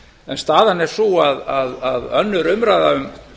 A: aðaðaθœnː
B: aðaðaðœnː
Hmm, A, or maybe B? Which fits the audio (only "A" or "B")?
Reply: B